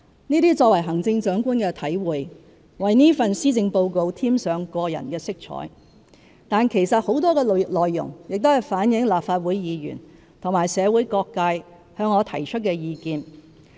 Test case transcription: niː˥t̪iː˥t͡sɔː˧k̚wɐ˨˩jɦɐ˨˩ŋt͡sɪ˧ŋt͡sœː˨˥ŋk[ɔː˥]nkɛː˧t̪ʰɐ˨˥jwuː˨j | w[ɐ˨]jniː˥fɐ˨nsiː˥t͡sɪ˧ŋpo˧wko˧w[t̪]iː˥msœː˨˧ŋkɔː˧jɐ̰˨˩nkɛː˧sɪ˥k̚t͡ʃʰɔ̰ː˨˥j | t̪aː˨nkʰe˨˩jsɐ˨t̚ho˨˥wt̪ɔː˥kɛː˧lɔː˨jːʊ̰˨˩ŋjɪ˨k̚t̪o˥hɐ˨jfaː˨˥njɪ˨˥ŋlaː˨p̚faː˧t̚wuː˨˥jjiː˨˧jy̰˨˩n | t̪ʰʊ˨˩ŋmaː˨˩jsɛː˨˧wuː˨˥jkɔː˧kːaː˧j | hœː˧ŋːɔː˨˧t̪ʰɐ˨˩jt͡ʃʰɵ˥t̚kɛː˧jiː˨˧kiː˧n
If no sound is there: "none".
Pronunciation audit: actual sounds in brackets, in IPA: uː˥, ɐ˨, t̪ʰ

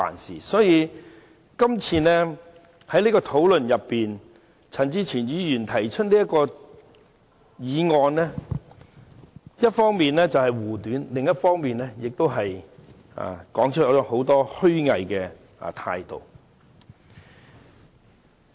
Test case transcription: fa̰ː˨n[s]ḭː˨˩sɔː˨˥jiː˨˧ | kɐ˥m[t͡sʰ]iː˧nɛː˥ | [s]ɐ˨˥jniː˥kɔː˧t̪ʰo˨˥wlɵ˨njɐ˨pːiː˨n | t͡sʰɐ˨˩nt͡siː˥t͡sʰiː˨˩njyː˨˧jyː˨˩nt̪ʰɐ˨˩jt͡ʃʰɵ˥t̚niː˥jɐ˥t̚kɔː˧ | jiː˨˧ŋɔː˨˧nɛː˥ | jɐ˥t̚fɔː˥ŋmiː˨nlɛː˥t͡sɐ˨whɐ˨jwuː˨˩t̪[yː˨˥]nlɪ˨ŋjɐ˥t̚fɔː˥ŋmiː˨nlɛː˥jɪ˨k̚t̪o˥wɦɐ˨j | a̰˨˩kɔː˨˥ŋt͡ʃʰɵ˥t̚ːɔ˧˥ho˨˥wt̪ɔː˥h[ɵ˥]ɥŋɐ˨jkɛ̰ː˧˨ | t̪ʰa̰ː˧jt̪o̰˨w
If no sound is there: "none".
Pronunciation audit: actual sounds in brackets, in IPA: s, t͡sʰ, h, yː˨˥, ɵ˥

